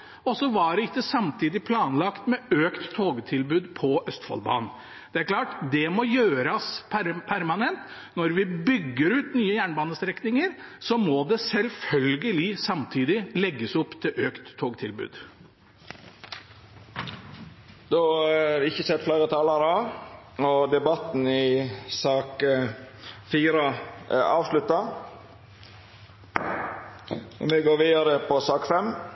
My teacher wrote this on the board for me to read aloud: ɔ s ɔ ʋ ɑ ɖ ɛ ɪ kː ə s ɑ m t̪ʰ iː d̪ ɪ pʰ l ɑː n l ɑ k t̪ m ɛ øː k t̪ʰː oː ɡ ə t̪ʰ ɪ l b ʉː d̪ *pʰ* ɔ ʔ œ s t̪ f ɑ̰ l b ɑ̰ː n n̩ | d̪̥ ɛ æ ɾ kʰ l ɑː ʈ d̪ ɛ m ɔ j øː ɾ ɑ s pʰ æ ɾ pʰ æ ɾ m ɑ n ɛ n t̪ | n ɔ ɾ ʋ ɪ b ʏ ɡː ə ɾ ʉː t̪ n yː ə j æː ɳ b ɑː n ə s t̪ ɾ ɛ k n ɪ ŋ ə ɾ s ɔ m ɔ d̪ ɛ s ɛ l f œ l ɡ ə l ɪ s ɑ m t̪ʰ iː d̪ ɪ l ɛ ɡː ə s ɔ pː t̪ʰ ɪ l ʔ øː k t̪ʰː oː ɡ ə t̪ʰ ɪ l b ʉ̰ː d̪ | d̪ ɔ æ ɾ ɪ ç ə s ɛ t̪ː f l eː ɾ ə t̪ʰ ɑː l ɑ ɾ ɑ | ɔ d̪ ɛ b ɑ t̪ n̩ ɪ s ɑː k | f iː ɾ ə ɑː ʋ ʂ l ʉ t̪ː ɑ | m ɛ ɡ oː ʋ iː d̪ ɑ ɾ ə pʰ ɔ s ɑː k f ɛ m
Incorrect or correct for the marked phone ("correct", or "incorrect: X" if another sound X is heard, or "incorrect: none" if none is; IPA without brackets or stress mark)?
correct